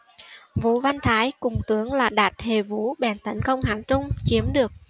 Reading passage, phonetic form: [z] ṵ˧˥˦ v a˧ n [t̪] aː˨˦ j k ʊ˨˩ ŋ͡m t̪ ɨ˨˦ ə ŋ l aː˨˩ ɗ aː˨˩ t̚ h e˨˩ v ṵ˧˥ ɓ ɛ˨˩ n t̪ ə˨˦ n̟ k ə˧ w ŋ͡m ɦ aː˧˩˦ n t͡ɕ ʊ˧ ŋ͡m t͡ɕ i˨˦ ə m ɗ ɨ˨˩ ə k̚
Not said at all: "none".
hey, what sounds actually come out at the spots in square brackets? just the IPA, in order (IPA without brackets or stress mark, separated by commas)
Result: v, t̪ʰ